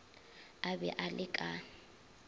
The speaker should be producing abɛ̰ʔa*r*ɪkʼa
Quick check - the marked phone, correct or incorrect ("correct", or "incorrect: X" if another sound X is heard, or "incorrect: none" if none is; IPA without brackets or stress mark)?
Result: incorrect: l